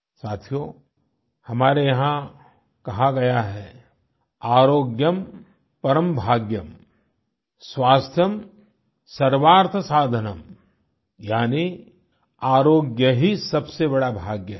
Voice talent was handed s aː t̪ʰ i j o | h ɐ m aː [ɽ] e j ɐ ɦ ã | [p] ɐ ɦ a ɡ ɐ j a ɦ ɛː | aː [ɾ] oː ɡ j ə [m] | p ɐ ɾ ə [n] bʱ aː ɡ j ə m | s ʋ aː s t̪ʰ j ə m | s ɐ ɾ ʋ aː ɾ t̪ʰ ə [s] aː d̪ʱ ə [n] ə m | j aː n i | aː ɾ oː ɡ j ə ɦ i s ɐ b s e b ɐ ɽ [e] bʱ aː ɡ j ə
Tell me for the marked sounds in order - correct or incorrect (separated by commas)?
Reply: incorrect, incorrect, correct, correct, incorrect, correct, correct, incorrect